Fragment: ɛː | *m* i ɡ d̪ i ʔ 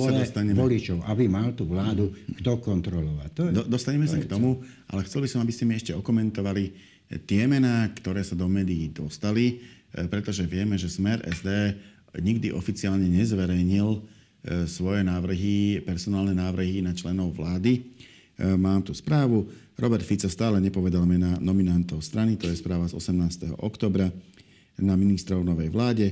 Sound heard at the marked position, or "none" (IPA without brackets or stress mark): ɲ